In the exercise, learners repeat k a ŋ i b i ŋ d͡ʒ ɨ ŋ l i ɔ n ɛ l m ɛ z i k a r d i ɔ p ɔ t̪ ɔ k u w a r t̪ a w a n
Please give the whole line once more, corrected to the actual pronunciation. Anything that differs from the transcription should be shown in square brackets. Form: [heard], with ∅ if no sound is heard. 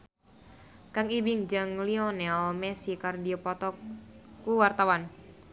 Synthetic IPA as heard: k a ŋ i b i ŋ d͡ʒ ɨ ŋ l i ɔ n ɛ l m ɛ [s] i k a r d i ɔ p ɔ t̪ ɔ k u w a r t̪ a w a n